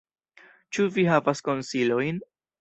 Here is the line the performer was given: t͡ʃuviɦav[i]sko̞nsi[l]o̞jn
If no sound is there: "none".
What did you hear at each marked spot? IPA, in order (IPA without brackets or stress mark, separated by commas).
a, l